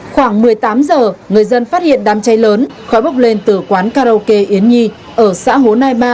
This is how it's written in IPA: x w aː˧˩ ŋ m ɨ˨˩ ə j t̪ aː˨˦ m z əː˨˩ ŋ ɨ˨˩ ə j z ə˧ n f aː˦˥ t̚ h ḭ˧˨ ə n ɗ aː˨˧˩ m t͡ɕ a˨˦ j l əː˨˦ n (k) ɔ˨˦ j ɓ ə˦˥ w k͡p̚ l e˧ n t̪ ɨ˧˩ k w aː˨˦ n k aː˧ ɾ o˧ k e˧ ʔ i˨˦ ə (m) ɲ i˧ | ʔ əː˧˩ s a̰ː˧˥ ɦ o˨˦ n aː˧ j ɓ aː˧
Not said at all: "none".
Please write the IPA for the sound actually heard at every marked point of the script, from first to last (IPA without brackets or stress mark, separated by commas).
x, n